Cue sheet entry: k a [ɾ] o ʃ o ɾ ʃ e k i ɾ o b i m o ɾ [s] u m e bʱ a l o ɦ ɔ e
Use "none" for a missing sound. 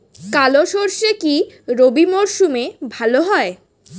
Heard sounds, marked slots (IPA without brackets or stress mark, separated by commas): l, ʃ